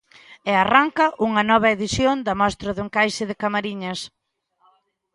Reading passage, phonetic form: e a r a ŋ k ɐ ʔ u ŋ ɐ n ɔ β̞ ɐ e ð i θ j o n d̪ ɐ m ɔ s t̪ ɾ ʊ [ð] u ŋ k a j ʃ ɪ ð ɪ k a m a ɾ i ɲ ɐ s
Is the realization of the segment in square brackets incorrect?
no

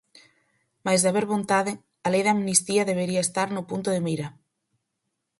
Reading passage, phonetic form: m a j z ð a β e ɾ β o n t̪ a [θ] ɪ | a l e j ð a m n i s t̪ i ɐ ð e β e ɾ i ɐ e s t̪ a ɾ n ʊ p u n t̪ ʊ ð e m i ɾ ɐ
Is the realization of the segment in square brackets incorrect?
yes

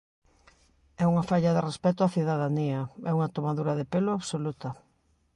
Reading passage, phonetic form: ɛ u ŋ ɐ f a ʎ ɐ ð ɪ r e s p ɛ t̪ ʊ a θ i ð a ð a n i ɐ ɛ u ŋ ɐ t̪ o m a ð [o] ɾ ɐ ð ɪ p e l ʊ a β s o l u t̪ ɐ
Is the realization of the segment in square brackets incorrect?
yes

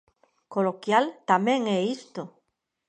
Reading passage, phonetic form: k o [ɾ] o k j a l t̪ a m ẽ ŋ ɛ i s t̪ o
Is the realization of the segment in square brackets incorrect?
yes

